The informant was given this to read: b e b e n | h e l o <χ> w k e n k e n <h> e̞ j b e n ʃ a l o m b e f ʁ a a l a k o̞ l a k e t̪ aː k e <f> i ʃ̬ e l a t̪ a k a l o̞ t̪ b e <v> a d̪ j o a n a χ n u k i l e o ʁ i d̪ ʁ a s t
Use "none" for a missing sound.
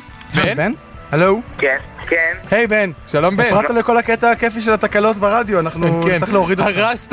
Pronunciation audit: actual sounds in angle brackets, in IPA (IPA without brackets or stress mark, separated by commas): none, h, f, ʁ